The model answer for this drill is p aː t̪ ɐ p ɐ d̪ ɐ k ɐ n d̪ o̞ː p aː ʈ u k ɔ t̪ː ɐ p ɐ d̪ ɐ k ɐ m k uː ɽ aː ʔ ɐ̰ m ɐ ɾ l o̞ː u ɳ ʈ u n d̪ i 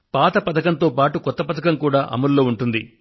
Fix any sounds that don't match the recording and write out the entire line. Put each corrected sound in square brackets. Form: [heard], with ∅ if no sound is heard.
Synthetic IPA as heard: p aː t̪ ɐ p ɐ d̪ ɐ k ɐ n [t̪] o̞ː p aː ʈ u k ɔ t̪ː ɐ p ɐ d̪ ɐ k ɐ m k uː ɽ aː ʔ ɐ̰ m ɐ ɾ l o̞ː u ɳ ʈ u n d̪ i